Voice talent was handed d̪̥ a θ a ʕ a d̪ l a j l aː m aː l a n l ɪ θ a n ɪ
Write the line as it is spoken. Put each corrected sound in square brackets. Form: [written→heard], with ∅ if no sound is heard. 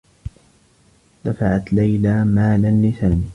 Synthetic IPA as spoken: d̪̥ a [θ→f] a ʕ a [d̪→t̪] l a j l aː m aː l a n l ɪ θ a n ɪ